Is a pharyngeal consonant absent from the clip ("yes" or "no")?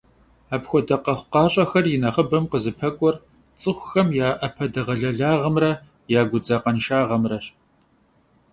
yes